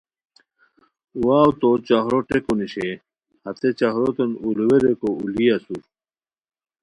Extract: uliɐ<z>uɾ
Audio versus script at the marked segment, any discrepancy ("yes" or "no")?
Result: yes